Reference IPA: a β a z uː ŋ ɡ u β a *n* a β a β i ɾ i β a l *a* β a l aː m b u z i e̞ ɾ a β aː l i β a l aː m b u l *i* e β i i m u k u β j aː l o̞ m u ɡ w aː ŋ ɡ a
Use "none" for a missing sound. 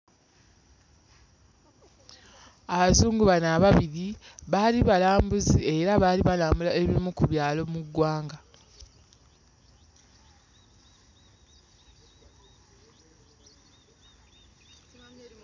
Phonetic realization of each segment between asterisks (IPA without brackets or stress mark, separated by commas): n, i, a